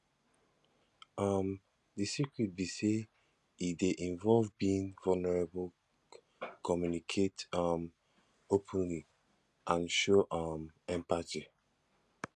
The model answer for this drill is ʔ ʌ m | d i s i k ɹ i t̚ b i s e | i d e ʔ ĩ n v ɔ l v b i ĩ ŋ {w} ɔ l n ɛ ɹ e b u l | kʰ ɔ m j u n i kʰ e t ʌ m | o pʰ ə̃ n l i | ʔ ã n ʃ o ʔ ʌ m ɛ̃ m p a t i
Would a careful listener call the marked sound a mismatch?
yes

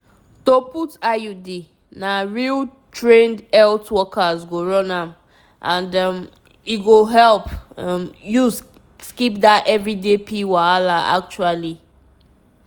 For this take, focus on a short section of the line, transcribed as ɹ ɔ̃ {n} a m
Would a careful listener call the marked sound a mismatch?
no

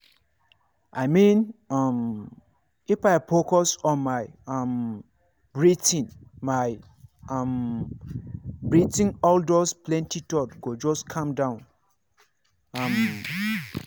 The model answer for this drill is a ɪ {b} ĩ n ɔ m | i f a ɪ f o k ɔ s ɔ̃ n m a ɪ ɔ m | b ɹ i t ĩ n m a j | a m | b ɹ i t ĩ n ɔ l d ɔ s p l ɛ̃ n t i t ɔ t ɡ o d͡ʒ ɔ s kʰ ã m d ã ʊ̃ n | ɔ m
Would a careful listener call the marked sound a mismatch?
yes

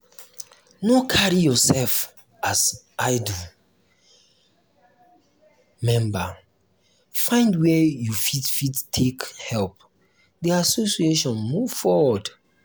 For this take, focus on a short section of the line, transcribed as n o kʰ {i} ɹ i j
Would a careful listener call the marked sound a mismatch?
yes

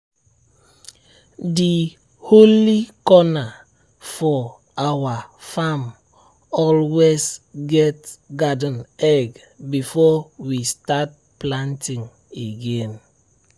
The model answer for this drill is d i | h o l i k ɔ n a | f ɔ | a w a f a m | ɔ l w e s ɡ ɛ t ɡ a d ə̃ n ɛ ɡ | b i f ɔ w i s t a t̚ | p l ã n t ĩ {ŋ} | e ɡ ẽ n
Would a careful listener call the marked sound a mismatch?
no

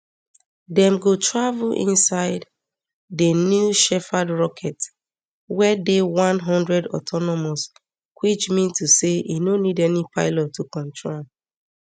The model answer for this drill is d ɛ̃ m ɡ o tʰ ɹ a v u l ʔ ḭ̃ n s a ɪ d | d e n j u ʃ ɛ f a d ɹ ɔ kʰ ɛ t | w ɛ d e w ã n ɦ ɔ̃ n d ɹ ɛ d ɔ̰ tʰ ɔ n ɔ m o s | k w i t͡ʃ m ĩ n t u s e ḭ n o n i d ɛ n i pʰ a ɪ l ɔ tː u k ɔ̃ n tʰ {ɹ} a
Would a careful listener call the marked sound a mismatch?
no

